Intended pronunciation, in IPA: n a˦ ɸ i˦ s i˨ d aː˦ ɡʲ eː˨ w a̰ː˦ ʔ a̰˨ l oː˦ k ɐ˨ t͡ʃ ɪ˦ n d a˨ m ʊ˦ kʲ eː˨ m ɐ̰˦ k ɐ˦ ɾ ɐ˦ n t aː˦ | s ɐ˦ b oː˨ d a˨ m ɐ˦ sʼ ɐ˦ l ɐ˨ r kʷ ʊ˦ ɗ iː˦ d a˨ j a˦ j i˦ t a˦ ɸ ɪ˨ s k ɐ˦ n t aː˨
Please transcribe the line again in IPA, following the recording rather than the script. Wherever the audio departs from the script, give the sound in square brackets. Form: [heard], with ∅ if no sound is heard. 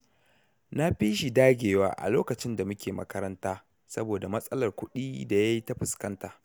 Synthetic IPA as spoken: n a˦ ɸ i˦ [ʃ] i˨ d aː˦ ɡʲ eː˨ w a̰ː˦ ʔ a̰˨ l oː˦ k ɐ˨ t͡ʃ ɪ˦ n d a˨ m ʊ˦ kʲ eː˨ m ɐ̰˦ k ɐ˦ ɾ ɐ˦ n t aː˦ | s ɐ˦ b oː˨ d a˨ m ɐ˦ sʼ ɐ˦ l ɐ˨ r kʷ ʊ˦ ɗ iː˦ d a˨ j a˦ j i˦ t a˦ ɸ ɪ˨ s k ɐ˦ n t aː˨

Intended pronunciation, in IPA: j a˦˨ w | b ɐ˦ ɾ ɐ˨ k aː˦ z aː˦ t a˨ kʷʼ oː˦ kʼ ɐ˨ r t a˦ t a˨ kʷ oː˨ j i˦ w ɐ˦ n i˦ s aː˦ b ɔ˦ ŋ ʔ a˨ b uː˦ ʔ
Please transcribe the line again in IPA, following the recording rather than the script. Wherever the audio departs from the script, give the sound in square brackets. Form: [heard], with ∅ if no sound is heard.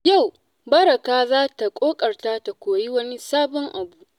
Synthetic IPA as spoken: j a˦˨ w | b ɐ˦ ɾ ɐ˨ k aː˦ z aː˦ t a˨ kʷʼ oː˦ kʼ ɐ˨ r t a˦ t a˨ kʷ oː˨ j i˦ w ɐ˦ n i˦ s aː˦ b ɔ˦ ŋ ʔ a˨ b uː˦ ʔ

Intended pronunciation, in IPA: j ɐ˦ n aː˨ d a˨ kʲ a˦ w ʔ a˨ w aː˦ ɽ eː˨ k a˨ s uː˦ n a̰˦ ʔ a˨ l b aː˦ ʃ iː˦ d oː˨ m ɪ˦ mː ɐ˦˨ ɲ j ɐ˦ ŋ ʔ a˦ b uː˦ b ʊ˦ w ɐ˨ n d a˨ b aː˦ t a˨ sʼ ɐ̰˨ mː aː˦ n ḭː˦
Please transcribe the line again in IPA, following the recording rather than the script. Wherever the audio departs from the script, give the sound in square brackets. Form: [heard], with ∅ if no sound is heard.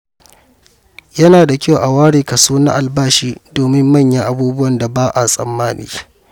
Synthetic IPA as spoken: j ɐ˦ n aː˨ d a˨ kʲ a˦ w ʔ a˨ w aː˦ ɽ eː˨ k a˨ s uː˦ n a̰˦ ʔ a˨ l b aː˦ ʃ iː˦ d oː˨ m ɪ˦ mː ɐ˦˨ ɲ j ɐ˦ ŋ ʔ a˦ b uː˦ b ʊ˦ w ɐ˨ n d a˨ b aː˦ [ʔ] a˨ sʼ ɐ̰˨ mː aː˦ n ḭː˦

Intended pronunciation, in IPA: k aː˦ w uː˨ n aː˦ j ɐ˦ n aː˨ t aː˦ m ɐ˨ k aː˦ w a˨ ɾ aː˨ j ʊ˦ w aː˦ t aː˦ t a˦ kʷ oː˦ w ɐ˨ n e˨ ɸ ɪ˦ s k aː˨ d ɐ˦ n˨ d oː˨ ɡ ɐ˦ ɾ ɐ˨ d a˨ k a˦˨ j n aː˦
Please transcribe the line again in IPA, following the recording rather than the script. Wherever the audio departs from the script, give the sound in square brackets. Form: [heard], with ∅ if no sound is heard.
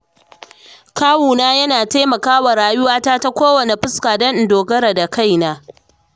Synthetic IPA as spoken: k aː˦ w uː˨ n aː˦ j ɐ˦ n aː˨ t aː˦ m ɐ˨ k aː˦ w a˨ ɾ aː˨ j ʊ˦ w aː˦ t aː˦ t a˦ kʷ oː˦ w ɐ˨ n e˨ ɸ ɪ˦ s k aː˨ d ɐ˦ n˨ d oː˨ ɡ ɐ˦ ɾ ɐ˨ d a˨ k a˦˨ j n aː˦

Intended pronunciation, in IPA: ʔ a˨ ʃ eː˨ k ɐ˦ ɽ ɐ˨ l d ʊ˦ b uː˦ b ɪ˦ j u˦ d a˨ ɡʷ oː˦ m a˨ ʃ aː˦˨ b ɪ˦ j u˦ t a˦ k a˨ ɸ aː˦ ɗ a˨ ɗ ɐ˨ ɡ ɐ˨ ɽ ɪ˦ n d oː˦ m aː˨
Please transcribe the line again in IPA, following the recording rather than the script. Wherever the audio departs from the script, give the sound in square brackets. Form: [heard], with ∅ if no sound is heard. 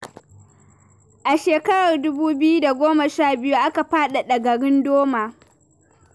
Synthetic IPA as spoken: ʔ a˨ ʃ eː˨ k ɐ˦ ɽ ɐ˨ [r] d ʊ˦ b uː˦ b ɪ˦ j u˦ d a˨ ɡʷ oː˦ m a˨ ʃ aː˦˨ b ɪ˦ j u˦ [ʔ] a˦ k a˨ ɸ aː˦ ɗ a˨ ɗ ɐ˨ ɡ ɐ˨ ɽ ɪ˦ n d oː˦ m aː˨

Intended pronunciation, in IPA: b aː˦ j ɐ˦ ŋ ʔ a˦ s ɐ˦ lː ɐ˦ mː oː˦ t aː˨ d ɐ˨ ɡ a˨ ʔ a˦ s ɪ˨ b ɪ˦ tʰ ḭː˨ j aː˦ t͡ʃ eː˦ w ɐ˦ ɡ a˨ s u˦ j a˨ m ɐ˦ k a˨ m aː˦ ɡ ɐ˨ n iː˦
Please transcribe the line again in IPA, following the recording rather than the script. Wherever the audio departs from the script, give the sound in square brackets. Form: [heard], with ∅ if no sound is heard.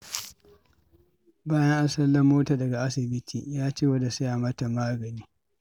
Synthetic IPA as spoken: b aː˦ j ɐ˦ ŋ ʔ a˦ s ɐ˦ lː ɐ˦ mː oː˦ t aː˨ d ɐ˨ ɡ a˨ ʔ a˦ s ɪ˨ b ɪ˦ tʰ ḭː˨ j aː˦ t͡ʃ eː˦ w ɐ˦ [d] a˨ s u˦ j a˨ m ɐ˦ [t] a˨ m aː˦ ɡ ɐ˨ n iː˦

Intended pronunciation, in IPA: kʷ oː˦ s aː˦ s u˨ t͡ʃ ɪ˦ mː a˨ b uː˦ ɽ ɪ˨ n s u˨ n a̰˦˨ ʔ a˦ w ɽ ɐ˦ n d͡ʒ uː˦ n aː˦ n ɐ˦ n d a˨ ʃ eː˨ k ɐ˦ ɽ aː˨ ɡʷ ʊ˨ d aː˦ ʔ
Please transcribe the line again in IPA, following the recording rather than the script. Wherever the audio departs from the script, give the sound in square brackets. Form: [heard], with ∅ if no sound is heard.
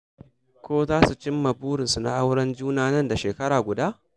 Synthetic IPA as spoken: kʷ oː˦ [z] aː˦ s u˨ t͡ʃ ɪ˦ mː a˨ b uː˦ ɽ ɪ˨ n s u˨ n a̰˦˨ ʔ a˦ w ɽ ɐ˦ n d͡ʒ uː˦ n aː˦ n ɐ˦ n d a˨ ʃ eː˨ k ɐ˦ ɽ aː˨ ɡʷ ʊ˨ d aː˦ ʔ

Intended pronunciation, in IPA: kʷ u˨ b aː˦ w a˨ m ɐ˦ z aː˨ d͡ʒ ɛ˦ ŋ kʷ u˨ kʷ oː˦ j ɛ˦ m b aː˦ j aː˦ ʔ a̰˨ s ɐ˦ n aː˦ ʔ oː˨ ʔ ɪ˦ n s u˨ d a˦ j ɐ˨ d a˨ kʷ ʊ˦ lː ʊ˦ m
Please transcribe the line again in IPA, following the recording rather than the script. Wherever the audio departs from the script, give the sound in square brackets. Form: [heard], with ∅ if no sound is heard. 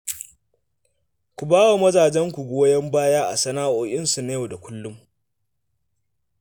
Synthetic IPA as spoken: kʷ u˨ b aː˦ w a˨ m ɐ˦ z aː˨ d͡ʒ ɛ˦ ŋ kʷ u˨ [ɡʷ] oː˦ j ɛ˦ m b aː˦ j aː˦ ʔ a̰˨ s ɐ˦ n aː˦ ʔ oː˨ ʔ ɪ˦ n s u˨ [n] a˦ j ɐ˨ d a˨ kʷ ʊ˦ lː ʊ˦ m

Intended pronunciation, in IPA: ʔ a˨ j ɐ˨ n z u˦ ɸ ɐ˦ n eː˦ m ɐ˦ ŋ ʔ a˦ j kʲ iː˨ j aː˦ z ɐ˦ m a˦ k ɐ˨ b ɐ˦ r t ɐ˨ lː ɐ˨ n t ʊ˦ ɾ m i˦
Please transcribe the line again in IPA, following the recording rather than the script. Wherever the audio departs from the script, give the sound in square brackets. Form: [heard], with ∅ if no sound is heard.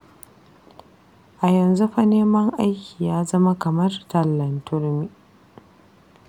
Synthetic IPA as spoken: ʔ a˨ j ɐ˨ n z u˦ ɸ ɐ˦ n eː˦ m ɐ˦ ŋ ʔ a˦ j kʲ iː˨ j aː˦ z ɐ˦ m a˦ k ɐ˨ [m] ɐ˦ r t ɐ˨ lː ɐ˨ n t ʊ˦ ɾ m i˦

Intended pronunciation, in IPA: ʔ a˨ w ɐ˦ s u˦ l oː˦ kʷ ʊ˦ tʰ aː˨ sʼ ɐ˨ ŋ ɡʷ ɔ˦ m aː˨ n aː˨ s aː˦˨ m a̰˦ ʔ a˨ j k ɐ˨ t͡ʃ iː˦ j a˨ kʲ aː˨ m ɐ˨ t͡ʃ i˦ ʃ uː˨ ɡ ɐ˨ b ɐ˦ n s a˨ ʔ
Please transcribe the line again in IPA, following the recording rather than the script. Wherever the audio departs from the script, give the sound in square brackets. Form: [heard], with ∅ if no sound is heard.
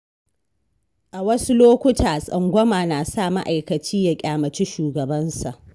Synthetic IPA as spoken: ʔ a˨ w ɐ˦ s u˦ l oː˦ kʷ ʊ˦ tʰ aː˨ sʼ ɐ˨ ŋ ɡʷ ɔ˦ m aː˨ n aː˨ s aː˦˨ m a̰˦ ʔ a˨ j k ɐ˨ t͡ʃ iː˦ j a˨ [kʲʼ] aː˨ m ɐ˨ t͡ʃ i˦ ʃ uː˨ ɡ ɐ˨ b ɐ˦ n s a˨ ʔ

